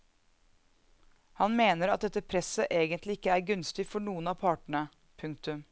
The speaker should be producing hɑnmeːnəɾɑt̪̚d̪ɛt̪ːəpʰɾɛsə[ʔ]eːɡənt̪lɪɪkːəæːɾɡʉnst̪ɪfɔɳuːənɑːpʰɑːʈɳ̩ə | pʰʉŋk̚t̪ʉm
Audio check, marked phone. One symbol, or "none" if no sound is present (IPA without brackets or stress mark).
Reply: ʔ